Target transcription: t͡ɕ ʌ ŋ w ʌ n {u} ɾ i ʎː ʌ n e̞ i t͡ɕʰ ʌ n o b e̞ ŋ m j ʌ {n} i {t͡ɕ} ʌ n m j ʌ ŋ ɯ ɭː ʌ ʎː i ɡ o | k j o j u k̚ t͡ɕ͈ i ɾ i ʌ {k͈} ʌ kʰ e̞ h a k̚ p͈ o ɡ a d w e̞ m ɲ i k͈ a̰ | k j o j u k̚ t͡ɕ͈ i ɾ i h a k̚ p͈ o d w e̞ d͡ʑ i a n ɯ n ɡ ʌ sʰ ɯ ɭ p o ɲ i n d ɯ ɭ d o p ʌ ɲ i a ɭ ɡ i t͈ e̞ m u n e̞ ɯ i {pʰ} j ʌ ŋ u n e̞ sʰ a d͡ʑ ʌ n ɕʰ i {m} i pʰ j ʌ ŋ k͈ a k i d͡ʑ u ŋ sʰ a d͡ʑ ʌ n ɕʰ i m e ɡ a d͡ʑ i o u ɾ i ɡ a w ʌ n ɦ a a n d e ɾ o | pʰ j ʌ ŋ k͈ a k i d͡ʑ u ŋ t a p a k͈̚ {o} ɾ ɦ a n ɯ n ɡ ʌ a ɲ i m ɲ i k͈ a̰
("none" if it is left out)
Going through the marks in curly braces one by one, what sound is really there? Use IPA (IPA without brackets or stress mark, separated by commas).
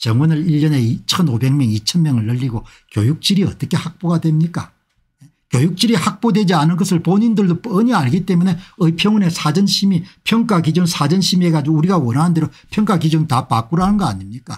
ɯ, ŋ, t͡ɕʰ, t͈, pʰ, m, u